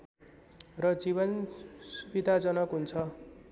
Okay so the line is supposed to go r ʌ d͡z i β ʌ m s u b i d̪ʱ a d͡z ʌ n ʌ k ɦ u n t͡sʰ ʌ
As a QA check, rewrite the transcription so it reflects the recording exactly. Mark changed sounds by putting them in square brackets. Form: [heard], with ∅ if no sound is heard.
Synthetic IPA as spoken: r ʌ d͡z i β ʌ [n] s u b i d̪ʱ a d͡z ʌ n ʌ k ɦ u n t͡sʰ ʌ